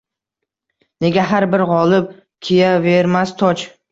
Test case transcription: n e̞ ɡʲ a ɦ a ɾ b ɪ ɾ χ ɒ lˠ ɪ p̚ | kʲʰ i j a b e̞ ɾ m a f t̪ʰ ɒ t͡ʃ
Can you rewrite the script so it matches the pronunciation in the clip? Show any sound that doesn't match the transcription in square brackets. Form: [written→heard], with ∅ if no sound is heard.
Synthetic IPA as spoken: n e̞ ɡʲ a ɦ a ɾ b ɪ ɾ [χ→ʁ] ɒ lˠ ɪ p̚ | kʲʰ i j a [b→v] e̞ ɾ m a [f→s] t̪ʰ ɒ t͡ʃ